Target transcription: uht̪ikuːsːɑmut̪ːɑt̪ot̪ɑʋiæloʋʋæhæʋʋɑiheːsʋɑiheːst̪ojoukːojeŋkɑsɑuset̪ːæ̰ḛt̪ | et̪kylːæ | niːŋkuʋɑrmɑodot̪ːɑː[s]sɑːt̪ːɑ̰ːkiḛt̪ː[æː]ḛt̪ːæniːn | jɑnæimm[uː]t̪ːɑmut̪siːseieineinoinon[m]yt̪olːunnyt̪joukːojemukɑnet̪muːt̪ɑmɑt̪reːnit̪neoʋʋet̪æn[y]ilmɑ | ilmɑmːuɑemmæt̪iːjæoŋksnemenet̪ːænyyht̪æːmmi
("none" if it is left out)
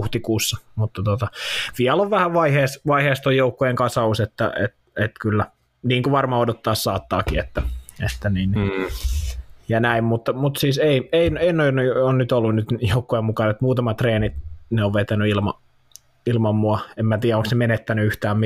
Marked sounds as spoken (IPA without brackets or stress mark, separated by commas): s, æ, u, n, y